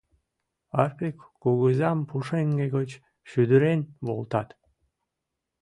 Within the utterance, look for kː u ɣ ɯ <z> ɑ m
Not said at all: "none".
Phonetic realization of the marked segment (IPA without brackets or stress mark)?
z